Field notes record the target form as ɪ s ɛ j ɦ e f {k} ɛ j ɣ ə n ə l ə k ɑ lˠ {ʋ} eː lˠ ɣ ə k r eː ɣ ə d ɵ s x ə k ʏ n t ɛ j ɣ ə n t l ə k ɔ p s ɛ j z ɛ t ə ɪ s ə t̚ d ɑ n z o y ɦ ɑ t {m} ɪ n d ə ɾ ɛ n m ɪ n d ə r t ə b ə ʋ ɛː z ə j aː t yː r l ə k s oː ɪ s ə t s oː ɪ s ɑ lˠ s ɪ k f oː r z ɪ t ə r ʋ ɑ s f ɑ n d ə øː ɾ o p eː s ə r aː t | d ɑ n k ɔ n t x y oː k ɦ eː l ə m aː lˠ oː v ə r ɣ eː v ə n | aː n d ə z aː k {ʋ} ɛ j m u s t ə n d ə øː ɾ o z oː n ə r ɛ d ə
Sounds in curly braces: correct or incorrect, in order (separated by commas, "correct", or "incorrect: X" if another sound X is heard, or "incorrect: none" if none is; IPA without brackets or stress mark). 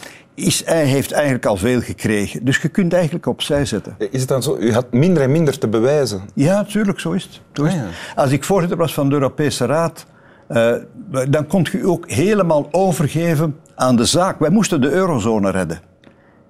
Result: incorrect: t, incorrect: v, correct, correct